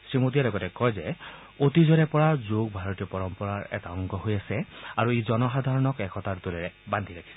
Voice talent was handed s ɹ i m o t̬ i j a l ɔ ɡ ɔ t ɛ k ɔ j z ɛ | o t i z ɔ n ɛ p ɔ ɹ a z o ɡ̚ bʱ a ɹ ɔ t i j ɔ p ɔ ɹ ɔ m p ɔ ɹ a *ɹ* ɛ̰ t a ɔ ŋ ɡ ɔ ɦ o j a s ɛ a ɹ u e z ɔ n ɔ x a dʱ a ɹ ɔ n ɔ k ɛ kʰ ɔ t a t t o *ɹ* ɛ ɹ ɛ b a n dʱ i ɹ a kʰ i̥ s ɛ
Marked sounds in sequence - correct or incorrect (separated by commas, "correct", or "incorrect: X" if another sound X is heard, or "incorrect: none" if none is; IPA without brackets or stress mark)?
correct, incorrect: l